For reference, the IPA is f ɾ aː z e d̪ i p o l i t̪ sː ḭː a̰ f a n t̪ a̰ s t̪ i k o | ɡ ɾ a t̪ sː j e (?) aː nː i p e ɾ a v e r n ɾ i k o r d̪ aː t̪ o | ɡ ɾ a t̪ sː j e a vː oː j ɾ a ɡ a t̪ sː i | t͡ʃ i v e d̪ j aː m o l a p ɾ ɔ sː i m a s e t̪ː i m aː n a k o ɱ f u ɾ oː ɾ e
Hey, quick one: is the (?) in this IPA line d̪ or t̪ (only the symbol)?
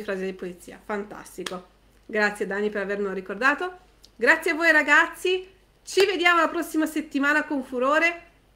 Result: d̪